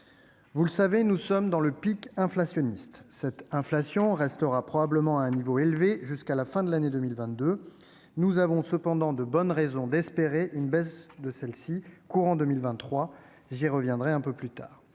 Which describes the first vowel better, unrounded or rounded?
rounded